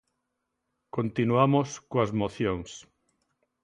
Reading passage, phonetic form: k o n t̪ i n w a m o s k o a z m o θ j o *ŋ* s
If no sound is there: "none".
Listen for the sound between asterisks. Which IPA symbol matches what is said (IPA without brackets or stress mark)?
ŋ